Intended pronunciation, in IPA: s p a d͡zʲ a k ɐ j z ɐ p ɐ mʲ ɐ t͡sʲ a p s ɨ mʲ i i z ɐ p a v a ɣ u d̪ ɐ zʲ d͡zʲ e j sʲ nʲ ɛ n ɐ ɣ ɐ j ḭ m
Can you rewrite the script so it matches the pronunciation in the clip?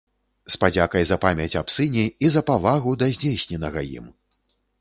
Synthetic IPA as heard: s p a d͡zʲ a k ɐ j z ɐ p a mʲ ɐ t͡sʲ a p s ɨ nʲ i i z ɐ p a v a ɣ u d̪ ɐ zʲ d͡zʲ e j sʲ nʲ ɛ n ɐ ɣ ɐ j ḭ m